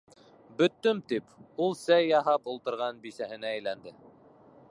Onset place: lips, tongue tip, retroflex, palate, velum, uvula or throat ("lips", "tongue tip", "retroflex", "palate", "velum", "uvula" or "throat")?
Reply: lips